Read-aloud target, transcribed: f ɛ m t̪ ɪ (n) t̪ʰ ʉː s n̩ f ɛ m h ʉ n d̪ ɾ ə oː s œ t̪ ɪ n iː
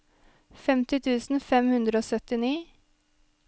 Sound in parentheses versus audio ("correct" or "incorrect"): incorrect